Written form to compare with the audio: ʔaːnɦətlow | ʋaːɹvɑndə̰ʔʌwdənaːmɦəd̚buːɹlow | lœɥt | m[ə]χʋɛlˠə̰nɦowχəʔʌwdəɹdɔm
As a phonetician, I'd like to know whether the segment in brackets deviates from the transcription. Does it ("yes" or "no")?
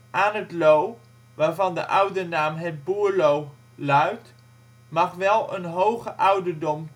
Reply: yes